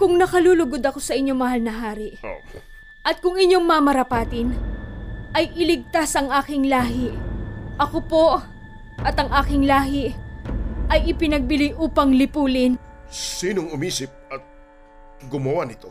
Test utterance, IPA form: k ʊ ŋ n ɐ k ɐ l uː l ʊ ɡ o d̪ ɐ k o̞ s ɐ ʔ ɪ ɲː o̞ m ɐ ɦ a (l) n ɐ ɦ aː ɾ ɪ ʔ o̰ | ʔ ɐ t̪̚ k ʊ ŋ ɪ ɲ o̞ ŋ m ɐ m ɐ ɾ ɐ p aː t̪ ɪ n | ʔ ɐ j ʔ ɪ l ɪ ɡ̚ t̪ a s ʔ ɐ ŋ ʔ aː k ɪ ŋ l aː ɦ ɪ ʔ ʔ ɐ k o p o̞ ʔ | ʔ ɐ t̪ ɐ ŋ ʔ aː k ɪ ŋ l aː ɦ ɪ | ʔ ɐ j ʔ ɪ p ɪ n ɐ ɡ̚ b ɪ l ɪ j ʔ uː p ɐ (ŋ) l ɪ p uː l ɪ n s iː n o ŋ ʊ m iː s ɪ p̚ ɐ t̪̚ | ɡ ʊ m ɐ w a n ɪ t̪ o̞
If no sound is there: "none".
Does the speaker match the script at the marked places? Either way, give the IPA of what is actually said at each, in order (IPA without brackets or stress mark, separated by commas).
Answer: l, ŋ